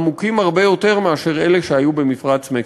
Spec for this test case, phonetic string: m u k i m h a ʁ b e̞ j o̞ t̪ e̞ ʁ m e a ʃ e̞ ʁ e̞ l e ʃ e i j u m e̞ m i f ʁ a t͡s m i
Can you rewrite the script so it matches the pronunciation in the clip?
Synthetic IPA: m u k i m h a ʁ b e̞ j o̞ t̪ e̞ ʁ m e a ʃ e̞ ʁ e̞ l e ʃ e a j u b e̞ m i f ʁ a t͡s m e